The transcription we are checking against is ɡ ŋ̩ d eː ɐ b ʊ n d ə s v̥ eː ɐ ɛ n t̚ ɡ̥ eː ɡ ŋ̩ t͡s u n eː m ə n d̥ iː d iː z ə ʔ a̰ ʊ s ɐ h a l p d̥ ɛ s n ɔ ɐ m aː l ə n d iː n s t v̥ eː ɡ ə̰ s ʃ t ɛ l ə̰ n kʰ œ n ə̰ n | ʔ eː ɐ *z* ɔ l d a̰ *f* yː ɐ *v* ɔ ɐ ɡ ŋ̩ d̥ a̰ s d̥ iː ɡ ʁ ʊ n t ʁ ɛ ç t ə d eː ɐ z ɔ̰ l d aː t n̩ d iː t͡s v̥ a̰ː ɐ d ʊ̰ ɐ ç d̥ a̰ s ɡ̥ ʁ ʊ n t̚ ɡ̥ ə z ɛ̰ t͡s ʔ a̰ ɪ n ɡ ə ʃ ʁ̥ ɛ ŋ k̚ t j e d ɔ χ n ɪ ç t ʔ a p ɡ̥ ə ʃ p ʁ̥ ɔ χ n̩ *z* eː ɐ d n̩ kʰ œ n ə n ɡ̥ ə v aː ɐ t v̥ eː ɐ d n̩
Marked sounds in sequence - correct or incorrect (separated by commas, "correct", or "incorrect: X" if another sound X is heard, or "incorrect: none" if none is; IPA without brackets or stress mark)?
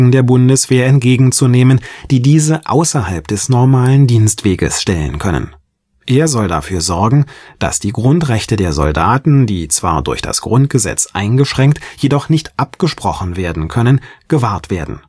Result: correct, correct, incorrect: z, incorrect: v